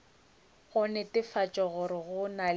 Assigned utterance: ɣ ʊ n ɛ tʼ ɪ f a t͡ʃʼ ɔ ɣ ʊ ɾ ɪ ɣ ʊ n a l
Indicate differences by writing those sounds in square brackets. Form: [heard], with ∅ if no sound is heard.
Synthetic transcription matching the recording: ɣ ʊ n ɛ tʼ ɪ f a t͡ʃʼ ɔ ɣ ʊ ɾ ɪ ɣ ʊ n a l